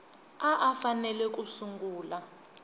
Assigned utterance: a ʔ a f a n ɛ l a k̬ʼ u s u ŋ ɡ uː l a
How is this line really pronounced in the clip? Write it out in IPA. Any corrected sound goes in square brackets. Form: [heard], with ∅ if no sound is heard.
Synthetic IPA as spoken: a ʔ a f a n ɛ l [ɛ] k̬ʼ u s u ŋ ɡ uː l a